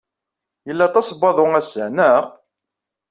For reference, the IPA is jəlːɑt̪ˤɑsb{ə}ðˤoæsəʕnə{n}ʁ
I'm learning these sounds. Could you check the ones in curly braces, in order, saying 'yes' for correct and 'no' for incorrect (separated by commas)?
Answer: no, no